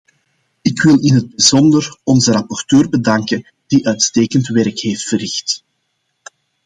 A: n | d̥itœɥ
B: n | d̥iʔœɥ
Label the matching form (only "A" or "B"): B